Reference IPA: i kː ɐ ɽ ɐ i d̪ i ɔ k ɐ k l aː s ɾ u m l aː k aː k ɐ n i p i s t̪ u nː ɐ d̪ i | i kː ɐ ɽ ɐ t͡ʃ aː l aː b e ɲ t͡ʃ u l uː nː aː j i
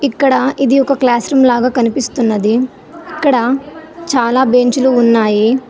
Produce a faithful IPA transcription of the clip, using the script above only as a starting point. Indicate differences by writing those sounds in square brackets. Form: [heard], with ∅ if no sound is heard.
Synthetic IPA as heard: i kː ɐ ɽ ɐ i d̪ i ɔ k ɐ k l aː s ɾ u m l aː [ɡ] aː k ɐ n i p i s t̪ u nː ɐ d̪ i | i kː ɐ ɽ ɐ t͡ʃ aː l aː b e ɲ t͡ʃ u l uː nː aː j i